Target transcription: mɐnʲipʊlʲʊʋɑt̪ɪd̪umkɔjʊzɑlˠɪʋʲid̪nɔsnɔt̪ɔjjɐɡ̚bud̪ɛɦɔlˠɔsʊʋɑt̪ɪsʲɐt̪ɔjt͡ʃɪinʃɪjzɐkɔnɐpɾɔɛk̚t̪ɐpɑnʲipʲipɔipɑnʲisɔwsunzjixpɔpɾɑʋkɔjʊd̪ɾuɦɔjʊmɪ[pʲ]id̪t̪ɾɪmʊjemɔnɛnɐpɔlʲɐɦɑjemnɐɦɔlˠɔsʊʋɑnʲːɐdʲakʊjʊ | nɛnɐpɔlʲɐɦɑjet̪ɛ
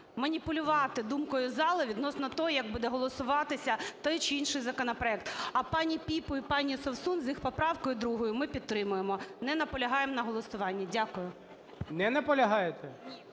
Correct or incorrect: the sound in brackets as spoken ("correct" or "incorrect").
correct